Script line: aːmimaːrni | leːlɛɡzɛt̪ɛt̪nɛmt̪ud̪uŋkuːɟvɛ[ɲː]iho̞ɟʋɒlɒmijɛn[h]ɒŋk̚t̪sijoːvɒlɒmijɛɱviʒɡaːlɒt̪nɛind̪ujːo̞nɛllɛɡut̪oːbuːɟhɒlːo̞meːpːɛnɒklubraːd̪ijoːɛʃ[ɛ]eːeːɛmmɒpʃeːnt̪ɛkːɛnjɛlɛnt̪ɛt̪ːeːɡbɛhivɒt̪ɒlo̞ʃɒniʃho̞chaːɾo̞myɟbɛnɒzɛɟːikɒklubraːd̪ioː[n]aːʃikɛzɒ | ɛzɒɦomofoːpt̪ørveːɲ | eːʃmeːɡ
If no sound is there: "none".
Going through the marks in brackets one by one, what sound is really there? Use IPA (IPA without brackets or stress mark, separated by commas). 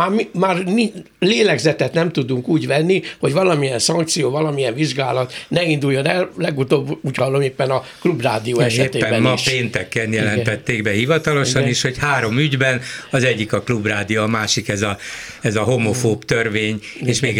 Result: nː, s, ɛ, m